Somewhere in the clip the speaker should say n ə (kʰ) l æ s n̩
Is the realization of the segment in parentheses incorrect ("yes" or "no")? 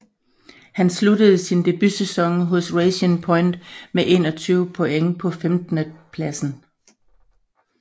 yes